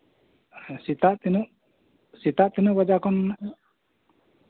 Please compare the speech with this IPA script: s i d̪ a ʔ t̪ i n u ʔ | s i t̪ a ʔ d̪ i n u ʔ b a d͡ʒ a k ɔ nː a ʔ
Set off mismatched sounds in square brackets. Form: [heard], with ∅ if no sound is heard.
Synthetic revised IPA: s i [t̪] a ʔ t̪ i n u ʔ | s i t̪ a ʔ [t̪] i n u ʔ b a d͡ʒ a k ɔ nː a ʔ